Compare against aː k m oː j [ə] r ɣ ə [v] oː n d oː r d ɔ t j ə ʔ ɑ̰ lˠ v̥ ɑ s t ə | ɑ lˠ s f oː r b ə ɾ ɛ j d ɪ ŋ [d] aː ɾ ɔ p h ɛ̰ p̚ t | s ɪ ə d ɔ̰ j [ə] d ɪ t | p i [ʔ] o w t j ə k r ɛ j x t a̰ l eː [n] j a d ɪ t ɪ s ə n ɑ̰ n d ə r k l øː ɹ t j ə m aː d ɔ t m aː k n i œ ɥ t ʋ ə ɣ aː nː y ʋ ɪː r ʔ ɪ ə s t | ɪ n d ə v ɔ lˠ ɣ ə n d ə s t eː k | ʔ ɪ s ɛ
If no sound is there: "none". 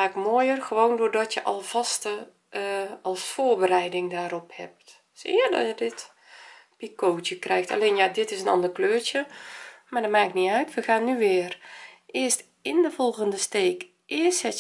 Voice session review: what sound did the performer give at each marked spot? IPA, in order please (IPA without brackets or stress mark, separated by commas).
ə, ʋ, d, ə, k, n